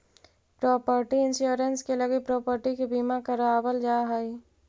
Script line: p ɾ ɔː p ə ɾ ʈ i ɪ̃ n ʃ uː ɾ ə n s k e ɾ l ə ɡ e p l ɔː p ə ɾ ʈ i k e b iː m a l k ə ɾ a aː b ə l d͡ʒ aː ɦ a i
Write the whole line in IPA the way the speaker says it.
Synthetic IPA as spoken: p ɾ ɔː p ə ɾ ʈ i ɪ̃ n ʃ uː ɾ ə n s k e l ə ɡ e p ɾ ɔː p ə ɾ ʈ i k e b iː m a k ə ɾ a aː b ə l d͡ʒ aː ɦ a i